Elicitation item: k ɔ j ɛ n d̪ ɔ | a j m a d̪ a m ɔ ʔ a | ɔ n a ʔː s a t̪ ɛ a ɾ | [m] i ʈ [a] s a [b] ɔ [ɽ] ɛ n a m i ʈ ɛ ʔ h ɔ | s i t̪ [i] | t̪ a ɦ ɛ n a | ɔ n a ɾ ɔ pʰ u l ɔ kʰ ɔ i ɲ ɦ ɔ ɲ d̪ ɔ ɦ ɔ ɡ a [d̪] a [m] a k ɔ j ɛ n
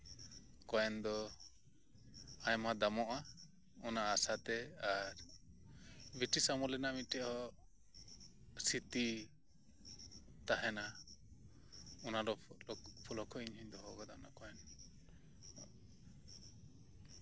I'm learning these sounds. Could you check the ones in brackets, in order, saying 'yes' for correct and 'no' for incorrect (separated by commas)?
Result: no, no, no, no, yes, yes, no